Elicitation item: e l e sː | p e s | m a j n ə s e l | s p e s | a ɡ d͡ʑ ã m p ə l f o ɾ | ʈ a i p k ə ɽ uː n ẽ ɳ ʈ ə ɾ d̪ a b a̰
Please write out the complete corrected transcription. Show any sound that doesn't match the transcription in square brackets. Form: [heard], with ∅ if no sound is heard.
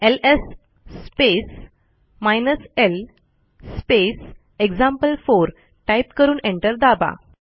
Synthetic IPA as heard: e l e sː | p e s | m a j n ə s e l | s p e s | [e] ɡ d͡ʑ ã m p ə l f o ɾ | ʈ a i p k ə [ɾ] uː n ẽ ɳ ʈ ə ɾ d̪ a b a̰